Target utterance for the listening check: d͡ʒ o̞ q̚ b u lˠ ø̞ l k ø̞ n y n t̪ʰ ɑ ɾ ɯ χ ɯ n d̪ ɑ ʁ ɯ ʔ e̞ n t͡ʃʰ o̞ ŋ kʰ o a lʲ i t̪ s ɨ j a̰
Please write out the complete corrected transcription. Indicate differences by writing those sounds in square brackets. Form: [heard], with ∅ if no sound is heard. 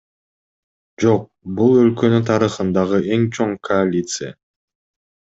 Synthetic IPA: d͡ʒ o̞ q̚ b u lˠ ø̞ l k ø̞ n y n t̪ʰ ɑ ɾ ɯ χ ɯ n d̪ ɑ ʁ ɯ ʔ e̞ [ŋ] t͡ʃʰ o̞ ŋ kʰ o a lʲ i t̪ s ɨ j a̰